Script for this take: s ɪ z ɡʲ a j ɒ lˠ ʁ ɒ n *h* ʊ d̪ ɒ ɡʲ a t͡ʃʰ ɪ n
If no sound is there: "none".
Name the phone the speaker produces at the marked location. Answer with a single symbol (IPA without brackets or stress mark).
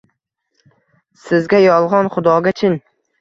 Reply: χ